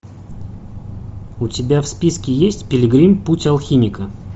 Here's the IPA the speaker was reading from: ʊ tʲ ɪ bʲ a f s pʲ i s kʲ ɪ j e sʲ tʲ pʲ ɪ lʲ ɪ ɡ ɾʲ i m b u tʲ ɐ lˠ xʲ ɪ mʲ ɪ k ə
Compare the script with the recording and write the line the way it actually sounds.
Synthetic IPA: ʊ tʲ ɪ bʲ a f s pʲ i s kʲ ɪ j e sʲ tʲ pʲ ɪ lʲ ɪ ɡ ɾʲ i m p u tʲ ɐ lˠ xʲ i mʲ ɪ k ə